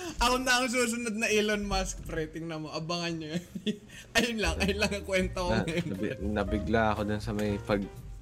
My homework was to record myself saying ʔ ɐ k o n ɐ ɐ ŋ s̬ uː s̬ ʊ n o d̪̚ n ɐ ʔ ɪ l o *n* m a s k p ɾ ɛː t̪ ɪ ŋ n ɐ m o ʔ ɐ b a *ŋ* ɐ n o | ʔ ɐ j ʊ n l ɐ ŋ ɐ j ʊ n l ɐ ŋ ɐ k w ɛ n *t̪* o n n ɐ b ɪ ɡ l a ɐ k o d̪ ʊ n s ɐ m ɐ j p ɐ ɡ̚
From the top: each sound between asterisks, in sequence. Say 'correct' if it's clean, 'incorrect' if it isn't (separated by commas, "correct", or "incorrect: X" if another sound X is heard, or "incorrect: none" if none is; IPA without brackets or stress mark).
correct, correct, correct